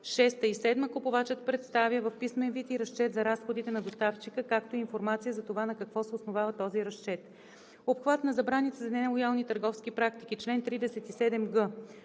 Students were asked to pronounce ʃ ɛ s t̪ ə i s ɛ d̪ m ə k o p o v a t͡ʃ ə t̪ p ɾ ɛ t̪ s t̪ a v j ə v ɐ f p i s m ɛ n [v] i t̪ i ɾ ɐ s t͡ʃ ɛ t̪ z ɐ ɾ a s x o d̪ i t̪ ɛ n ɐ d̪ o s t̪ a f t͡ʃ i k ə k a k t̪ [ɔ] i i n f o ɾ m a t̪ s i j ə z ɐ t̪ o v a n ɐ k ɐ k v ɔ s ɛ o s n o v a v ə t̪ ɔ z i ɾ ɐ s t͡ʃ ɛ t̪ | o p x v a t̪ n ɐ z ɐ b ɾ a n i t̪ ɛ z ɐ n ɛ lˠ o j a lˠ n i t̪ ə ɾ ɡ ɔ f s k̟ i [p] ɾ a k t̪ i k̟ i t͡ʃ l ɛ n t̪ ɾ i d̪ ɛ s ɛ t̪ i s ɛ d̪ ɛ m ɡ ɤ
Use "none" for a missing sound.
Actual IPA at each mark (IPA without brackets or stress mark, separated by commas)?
v, o, p